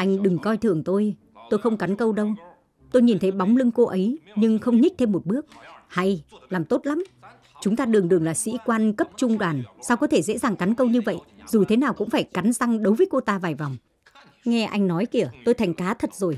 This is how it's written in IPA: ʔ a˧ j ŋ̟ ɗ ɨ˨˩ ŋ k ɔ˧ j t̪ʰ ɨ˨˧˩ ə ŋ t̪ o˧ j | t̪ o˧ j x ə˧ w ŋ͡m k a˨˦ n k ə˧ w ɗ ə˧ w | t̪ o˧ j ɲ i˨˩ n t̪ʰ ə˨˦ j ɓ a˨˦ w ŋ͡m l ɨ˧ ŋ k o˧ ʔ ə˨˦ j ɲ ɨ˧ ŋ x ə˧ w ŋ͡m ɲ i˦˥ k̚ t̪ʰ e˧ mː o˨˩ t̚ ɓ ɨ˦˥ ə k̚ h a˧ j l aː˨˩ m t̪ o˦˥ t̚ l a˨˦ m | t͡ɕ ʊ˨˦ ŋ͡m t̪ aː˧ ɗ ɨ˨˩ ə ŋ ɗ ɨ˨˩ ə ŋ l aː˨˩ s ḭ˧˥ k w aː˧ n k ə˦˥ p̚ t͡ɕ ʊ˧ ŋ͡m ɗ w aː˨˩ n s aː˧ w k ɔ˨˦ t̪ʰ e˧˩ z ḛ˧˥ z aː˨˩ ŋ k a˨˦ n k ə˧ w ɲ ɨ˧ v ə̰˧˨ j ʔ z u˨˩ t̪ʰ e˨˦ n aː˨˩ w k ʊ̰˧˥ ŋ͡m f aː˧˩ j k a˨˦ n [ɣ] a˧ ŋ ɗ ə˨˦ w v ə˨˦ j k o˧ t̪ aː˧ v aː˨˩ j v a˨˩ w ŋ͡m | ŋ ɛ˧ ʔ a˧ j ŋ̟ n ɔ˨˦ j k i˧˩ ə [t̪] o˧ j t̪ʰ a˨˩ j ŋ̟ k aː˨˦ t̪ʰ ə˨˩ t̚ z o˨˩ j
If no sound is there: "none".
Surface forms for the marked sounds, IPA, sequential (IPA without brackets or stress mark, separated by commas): z, t̪